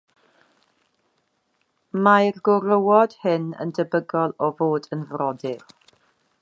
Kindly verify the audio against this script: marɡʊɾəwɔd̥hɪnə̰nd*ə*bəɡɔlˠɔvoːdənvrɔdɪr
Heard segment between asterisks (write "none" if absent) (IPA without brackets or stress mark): ə